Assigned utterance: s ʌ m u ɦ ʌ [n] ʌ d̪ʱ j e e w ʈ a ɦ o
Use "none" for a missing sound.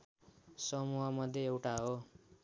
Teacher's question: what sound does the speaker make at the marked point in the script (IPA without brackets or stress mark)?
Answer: m